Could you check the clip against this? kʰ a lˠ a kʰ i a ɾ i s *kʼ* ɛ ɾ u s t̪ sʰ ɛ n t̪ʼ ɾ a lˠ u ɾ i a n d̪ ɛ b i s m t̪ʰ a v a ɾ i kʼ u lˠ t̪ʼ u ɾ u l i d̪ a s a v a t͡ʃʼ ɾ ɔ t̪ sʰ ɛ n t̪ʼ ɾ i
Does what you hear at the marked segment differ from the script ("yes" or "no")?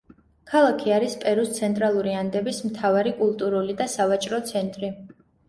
yes